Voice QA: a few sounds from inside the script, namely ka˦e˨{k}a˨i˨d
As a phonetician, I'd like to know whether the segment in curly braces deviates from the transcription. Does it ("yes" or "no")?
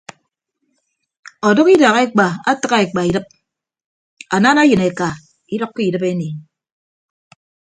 yes